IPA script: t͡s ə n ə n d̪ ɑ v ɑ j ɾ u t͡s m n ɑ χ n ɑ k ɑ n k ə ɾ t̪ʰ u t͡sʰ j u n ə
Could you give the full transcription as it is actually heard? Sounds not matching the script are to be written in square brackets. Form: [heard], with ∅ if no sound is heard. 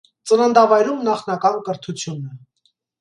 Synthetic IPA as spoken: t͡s ə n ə n d̪ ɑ v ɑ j ɾ u [∅] m n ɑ χ n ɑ k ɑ n k ə ɾ t̪ʰ u t͡sʰ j u n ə